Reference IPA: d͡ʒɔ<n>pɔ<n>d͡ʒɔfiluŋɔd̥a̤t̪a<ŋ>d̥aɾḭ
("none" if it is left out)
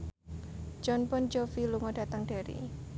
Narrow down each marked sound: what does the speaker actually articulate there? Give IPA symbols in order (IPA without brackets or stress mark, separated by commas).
n, n, ŋ